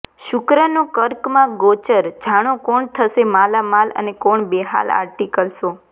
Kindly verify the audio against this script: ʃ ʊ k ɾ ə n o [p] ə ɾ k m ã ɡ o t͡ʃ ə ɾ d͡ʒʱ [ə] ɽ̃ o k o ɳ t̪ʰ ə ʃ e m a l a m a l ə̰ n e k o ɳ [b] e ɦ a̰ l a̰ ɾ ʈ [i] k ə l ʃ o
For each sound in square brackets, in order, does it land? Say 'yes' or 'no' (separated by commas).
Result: no, no, yes, yes